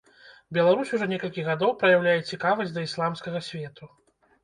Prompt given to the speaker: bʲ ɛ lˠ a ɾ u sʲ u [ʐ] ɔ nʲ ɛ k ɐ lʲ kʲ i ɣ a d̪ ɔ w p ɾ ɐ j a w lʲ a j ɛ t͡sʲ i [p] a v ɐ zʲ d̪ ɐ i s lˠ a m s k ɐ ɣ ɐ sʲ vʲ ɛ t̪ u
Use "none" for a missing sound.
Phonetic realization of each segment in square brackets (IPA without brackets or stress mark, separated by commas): ʐ, k